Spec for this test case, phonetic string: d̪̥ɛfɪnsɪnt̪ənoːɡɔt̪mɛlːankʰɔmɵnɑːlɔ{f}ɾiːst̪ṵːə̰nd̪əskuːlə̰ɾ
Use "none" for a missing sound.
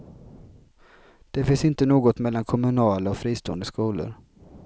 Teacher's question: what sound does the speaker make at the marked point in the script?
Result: f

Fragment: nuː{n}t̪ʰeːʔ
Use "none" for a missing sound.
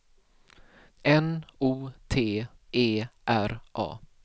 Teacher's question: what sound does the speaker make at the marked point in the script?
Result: none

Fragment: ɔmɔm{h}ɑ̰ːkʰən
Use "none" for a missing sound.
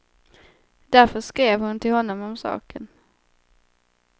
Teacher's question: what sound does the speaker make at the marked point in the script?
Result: s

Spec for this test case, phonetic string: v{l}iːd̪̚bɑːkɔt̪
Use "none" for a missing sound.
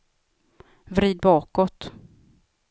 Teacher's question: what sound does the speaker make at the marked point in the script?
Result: ɾ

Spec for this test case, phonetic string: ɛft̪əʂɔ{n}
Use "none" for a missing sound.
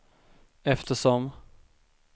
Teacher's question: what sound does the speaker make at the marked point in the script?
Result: m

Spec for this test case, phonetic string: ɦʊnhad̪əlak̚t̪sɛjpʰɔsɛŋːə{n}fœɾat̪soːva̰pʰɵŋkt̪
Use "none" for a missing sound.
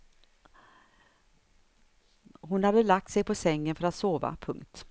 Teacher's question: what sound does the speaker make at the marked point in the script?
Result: n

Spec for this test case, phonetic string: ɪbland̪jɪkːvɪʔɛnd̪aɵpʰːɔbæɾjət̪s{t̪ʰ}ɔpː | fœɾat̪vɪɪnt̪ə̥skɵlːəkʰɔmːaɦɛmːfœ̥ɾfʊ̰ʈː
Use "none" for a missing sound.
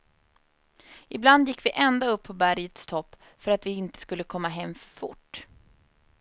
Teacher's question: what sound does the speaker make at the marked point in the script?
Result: t̪ʰ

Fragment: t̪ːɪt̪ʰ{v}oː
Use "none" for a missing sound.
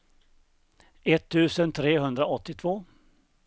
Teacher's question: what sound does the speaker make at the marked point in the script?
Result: v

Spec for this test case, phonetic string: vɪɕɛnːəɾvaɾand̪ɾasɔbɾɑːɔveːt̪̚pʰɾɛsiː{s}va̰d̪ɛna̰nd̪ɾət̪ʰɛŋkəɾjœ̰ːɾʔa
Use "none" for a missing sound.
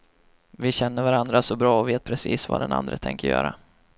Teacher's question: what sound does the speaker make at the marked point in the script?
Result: s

